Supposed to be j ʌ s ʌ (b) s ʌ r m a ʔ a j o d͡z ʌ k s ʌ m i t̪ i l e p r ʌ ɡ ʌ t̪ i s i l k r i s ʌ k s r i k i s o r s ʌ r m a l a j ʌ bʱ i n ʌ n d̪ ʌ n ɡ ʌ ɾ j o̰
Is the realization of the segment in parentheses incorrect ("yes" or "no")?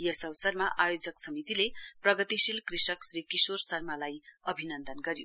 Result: yes